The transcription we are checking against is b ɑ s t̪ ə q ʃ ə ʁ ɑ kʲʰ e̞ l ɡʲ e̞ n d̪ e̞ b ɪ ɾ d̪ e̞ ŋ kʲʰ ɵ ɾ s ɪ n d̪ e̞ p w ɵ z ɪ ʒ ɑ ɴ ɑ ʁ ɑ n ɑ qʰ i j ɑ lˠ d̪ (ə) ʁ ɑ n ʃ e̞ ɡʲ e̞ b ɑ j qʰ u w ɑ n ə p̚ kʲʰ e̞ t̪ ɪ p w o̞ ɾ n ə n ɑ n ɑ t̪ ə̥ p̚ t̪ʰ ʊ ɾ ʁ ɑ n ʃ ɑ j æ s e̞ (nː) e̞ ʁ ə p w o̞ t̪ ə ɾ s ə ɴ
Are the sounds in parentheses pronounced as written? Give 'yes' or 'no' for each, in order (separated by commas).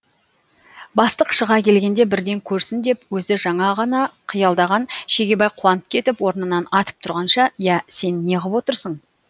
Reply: no, yes